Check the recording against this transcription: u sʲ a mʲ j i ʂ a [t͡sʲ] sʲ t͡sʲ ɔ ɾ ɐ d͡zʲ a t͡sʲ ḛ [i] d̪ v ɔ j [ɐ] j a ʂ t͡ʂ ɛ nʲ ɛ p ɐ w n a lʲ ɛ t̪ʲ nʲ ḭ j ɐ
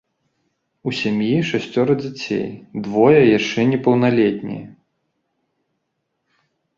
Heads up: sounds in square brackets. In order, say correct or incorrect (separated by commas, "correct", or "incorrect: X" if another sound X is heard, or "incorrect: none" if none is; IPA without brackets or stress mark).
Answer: incorrect: none, incorrect: j, correct